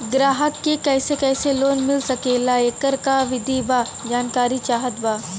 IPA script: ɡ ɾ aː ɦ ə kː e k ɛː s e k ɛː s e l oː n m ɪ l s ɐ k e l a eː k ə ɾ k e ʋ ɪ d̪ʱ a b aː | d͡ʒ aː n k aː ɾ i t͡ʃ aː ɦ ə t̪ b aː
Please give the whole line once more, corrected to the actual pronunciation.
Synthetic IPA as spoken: ɡ ɾ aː ɦ ə kː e k ɛː s e k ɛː s e l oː n m ɪ l s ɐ k e l a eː k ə ɾ k a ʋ ɪ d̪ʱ i b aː | d͡ʒ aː n k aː ɾ i t͡ʃ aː ɦ ə t̪ b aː

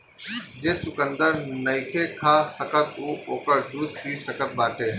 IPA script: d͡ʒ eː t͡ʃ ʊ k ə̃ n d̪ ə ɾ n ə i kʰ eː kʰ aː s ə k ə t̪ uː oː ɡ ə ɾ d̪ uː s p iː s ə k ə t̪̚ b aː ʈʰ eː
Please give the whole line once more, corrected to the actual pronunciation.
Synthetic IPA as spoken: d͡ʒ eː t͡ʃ ʊ k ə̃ n d̪ ə ɾ n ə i kʰ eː kʰ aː s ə k ə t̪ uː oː k ə ɾ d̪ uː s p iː s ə k ə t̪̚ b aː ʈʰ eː

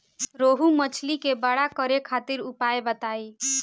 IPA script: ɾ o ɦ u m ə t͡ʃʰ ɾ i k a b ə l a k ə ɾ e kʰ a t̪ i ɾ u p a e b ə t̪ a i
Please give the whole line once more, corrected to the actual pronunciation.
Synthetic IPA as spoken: ɾ o ɦ u m ə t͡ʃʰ l i k e b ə ɽ a k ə ɾ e kʰ a t̪ i ɾ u p a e b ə t̪ a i

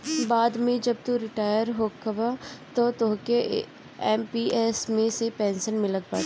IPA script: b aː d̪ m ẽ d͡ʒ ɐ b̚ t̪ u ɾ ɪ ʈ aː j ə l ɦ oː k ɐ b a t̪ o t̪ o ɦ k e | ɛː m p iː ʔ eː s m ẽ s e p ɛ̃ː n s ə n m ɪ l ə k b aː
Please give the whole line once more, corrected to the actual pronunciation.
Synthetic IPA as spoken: b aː d̪ m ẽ d͡ʒ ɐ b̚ t̪ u ɾ ɪ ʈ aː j ə ɾ ɦ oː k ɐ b a t̪ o t̪ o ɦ k e | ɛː m p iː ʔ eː s m ẽ s e p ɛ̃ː n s ə n m ɪ l ə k b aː

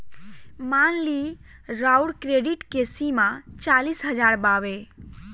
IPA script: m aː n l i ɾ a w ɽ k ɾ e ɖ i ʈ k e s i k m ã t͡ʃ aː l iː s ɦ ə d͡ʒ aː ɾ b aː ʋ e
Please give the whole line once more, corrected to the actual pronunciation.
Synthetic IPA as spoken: m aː n l i ɾ a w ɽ k ɾ e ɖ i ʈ k e s i m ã t͡ʃ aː l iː s ɦ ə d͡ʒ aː ɾ b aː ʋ e

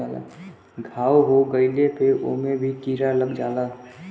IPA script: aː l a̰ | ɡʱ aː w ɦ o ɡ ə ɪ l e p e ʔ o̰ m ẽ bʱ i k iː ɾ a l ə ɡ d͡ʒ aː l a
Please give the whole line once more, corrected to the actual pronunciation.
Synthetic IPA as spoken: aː l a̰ | ɡʱ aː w ɦ o ɡ ə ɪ l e p e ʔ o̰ m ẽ bʱ i k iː ɾ a l ə ɡ d͡ʒ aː l a

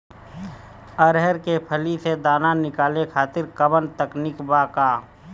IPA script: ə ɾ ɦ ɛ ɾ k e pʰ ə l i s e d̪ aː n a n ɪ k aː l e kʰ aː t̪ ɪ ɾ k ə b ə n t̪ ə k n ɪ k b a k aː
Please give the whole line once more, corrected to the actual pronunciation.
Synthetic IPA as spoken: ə ɾ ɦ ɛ ɾ k e pʰ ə l i s e d̪ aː n a n ɪ k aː l e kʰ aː t̪ ɪ ɾ k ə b ə n t̪ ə k n ɪ k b a k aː

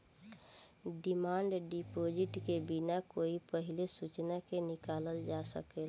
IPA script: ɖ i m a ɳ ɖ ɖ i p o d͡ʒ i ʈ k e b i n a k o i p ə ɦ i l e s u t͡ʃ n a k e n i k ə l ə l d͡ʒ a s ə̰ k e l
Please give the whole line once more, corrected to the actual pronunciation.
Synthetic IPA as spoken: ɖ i m a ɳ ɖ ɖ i p o d͡ʒ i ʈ k e b i n a k o i p ə ɦ i l e s u t͡ʃ n a k e n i k a l ə l d͡ʒ a s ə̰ k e l

